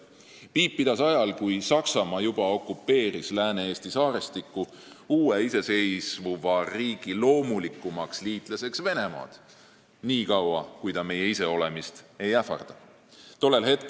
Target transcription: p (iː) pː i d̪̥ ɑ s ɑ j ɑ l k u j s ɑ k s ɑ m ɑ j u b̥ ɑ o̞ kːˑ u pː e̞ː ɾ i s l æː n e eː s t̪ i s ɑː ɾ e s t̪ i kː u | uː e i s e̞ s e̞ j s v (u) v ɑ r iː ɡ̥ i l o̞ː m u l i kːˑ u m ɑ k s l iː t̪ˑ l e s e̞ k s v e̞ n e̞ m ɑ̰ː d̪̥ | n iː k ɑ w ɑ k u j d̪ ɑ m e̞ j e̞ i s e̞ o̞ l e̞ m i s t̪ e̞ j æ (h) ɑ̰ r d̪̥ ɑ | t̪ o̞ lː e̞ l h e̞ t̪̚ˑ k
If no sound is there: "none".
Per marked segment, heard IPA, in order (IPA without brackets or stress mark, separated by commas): iː, u, f